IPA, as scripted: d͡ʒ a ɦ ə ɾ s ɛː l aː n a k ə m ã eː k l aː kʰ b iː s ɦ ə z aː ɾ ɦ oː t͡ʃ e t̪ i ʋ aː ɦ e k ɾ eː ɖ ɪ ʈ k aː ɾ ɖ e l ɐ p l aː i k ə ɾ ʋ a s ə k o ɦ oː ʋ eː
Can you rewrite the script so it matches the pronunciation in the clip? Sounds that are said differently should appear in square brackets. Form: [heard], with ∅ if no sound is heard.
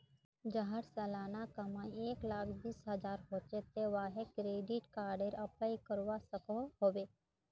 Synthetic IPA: d͡ʒ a ɦ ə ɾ s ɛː l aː n a k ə m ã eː k l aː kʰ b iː s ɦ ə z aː ɾ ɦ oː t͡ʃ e t̪ [e] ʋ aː ɦ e k ɾ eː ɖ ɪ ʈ k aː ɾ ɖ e [ɾ] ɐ p l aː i k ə ɾ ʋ a s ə k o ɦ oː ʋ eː